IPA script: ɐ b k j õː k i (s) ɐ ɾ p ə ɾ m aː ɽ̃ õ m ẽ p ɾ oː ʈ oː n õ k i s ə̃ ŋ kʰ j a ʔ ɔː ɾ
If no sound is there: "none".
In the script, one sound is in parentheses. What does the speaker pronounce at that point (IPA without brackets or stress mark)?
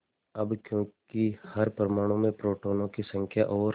h